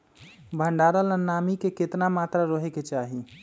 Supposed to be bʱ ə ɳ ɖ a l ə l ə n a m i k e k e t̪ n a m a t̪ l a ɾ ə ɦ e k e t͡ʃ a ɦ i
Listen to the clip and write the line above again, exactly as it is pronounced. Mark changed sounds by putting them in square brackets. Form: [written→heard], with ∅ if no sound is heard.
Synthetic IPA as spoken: bʱ ə ɳ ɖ a [l→ɾ] ə l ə n a m i k e k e t̪ n a m a t̪ [l→ɾ] a ɾ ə ɦ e k e t͡ʃ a ɦ i